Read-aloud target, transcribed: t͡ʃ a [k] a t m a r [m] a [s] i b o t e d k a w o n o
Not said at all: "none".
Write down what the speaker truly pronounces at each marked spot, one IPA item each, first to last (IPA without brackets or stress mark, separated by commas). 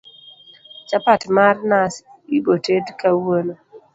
p, n, s